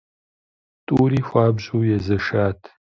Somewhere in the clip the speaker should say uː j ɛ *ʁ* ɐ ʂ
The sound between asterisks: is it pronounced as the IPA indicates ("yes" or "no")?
no